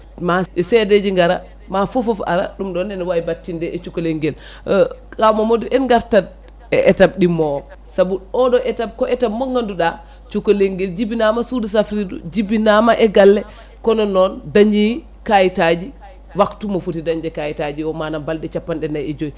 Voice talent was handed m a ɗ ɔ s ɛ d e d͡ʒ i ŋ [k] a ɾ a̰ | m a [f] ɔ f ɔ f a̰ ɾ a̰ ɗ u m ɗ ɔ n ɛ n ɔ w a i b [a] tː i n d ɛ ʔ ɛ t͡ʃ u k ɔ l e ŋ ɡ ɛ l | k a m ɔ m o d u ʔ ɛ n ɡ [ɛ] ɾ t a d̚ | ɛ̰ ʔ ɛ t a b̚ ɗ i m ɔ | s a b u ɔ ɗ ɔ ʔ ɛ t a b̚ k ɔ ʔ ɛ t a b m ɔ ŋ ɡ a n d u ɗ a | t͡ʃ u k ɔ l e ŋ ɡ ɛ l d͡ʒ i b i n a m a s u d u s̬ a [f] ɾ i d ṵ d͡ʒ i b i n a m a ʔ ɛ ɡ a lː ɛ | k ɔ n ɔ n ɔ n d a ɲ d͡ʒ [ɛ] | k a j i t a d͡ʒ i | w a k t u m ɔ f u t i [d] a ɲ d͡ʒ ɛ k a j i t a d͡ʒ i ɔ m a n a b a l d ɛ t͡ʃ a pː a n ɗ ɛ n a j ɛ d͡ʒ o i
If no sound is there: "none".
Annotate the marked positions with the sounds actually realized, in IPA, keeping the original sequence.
ɡ, f, a, a, f, i, d

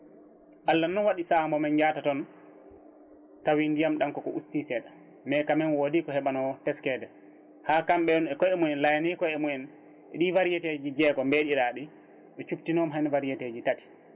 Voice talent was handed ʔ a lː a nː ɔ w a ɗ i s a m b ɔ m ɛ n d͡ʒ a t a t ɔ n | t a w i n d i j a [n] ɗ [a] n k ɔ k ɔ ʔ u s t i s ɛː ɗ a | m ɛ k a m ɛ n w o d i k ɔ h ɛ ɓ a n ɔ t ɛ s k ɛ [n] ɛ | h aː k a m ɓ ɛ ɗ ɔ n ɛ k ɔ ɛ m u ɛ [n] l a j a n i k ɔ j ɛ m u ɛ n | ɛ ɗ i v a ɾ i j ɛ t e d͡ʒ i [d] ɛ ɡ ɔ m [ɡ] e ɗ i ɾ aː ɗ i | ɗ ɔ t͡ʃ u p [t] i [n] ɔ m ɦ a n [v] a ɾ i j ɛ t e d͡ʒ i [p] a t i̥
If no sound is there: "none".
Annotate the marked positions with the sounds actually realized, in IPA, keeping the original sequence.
m, a, d, n, d͡ʒ, b, t, n, v, t

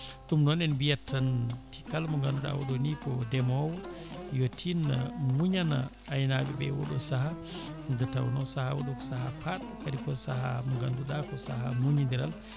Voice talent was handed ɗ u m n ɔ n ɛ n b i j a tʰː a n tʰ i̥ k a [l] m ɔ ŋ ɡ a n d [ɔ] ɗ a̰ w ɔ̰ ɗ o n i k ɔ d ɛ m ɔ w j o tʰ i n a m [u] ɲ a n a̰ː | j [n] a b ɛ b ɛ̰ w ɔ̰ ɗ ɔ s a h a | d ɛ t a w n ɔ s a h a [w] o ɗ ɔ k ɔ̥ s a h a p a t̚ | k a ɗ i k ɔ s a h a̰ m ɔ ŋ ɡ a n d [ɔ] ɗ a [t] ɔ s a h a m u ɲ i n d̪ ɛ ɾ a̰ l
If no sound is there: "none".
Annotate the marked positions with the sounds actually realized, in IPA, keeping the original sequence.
l, u, u, n, w, u, k

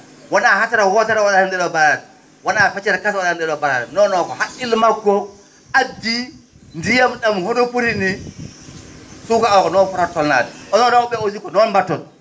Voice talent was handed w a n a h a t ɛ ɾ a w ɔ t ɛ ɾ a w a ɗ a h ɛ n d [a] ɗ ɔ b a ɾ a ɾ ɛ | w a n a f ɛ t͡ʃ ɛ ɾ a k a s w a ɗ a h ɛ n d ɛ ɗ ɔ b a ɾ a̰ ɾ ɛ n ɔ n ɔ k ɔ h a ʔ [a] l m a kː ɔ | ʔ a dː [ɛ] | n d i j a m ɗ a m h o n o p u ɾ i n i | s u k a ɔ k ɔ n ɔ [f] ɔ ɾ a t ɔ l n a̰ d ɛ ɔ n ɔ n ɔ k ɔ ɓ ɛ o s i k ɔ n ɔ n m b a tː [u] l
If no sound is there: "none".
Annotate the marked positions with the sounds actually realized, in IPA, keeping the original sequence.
ɛ, i, i, f, ɔ

